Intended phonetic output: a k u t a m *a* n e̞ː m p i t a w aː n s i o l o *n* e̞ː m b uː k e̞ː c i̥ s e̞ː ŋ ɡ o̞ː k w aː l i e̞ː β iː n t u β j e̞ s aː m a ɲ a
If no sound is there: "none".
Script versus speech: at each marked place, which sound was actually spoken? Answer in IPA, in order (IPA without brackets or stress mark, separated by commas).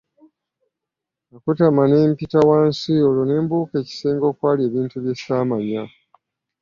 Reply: a, n